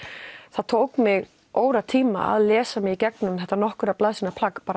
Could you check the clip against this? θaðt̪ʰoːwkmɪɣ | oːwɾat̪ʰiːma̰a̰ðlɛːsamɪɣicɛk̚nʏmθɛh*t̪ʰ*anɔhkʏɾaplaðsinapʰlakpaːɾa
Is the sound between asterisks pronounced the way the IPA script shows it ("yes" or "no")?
no